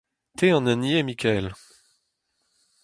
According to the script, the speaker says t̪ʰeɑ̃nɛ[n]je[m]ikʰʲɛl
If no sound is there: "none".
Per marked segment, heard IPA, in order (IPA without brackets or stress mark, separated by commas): n, m